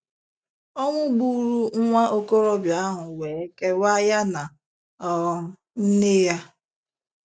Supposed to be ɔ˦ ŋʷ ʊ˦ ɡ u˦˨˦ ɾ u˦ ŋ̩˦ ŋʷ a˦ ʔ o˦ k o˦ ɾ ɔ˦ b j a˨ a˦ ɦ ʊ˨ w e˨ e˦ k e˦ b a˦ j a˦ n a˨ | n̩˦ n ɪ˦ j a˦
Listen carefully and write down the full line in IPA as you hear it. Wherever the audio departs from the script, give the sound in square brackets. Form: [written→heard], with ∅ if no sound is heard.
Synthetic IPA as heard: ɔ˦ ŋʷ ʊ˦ [ɡ→ɡ͡b] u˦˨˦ ɾ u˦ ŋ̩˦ ŋʷ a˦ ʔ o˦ k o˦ ɾ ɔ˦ b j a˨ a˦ ɦ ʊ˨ w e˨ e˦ k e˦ [b→w] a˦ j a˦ n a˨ | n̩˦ n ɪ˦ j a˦